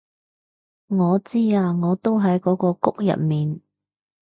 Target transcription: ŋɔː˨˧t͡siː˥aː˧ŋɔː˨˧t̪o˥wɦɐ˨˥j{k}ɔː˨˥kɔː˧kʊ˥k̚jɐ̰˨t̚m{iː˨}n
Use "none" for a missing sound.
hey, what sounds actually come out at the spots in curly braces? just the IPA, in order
k, iː˨

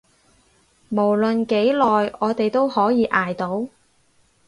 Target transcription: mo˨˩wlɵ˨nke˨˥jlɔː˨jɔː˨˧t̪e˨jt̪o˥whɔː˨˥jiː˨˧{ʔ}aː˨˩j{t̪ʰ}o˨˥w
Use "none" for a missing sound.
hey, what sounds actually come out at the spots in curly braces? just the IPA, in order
ʔ, t̪

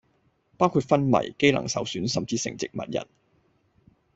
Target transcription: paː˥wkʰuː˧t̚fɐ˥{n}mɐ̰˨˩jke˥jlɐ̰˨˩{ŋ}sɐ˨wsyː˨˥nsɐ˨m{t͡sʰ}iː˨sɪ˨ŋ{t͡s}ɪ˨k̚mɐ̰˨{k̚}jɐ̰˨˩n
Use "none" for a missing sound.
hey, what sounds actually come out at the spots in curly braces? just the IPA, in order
n, ŋ, t͡s, t͡s, t̚

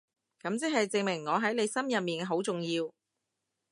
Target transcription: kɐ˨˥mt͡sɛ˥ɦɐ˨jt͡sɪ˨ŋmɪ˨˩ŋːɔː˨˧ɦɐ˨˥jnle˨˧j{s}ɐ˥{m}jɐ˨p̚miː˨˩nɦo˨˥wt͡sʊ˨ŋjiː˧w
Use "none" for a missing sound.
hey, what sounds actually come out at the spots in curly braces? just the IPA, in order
s, m

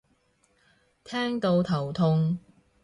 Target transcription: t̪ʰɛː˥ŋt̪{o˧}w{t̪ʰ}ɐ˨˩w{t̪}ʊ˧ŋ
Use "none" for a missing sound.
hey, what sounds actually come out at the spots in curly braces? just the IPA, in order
o˧, t̪ʰ, t̪ʰ

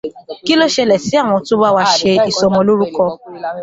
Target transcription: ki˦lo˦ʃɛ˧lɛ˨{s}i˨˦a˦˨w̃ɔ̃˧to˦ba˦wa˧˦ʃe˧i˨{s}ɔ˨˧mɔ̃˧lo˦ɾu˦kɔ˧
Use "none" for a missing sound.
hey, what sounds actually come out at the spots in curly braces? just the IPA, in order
s, s

